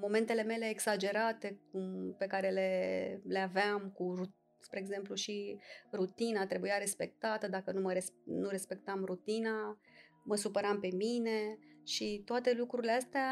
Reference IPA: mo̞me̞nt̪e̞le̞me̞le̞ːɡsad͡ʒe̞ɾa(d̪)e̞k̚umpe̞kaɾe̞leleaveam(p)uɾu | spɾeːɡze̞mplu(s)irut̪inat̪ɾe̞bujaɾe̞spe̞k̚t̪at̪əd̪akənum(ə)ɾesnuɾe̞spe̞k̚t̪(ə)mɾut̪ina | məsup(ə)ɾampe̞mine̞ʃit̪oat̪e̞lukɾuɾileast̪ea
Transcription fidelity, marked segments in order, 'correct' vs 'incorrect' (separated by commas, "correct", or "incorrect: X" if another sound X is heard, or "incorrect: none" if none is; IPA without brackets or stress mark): incorrect: t̪, incorrect: k, incorrect: ʃ, correct, incorrect: a, correct